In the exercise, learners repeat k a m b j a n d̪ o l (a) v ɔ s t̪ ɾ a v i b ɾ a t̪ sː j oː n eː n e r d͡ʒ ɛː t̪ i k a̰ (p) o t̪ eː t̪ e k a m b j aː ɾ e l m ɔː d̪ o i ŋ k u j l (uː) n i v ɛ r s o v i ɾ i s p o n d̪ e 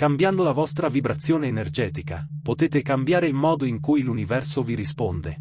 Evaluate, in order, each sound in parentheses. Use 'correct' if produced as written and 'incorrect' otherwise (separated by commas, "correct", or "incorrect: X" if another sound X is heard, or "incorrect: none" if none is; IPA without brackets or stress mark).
correct, correct, incorrect: u